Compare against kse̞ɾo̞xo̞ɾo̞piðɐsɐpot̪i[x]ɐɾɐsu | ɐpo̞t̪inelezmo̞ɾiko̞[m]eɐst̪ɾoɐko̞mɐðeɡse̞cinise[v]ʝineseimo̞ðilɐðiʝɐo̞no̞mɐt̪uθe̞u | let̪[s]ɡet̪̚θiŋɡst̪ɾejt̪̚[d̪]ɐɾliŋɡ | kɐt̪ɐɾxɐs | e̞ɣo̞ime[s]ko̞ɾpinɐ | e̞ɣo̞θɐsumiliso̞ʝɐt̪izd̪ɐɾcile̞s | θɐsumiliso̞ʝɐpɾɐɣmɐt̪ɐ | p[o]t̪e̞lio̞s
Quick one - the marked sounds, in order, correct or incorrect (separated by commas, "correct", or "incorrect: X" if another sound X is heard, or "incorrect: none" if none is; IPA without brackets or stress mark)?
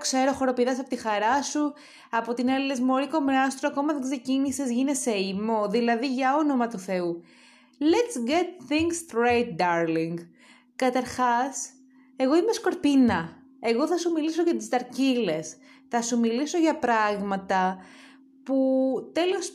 correct, correct, incorrect: z, correct, correct, correct, incorrect: u